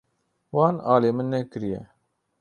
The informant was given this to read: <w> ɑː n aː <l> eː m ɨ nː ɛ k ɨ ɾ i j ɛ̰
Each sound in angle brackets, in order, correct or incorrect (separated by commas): correct, correct